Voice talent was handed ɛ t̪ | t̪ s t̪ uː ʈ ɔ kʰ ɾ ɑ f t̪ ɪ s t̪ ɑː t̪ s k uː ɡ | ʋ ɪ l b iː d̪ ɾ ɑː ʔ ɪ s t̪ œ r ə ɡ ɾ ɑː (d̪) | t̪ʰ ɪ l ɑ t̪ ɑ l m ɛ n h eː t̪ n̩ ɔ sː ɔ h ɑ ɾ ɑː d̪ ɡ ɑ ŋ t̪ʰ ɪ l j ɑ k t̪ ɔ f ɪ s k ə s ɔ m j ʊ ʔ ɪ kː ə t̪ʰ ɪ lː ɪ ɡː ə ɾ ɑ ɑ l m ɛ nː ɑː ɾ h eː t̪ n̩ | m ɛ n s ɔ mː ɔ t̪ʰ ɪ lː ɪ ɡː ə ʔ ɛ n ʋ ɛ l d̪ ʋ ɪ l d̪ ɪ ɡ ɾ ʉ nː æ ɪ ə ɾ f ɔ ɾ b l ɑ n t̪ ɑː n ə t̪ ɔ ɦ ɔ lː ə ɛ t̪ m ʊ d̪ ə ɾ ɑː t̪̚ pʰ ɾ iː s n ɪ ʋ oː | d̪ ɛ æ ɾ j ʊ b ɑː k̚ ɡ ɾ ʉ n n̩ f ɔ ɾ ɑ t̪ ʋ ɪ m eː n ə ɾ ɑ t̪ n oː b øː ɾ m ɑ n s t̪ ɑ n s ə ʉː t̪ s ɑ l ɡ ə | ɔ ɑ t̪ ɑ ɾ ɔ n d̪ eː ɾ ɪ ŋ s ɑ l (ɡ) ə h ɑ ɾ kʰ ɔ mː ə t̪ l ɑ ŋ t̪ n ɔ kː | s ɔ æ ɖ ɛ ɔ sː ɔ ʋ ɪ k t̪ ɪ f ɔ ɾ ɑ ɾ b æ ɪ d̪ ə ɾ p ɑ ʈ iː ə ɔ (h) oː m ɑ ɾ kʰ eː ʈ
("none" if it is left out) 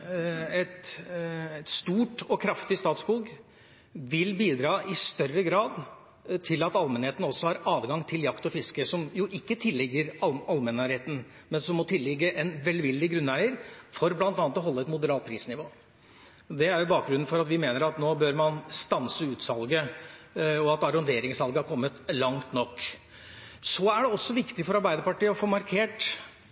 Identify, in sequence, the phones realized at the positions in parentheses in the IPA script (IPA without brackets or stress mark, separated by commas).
d̪, ɡ, f